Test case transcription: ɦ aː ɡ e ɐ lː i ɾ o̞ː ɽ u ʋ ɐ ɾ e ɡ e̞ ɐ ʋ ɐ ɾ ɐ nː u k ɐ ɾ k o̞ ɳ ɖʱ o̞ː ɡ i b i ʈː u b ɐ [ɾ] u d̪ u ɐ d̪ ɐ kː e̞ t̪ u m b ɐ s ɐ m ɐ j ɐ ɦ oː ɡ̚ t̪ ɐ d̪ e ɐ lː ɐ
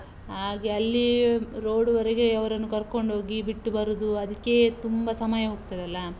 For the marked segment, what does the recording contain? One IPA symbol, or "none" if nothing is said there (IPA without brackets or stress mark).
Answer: ɾ